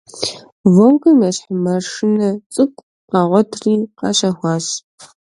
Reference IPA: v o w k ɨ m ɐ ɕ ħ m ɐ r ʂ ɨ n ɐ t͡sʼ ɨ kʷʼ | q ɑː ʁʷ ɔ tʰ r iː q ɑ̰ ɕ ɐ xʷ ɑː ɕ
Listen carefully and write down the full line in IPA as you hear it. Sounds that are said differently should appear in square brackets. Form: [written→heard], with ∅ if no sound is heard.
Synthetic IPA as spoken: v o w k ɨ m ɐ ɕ ħ m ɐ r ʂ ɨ n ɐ t͡sʼ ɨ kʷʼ | q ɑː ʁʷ ɔ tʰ r iː q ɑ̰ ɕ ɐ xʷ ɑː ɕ